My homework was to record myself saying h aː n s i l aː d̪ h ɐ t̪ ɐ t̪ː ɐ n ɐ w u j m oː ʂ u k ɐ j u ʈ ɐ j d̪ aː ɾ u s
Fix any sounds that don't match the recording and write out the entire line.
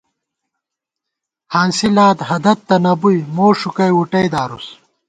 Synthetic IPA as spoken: h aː n s i l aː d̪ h ɐ d̪ ɐ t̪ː ɐ n ɐ b u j m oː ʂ u k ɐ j u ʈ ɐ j d̪ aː ɾ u s